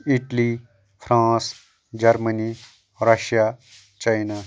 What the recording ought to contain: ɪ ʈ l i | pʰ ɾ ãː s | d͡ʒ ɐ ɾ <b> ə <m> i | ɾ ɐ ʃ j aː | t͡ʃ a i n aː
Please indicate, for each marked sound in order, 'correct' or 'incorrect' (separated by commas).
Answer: incorrect, incorrect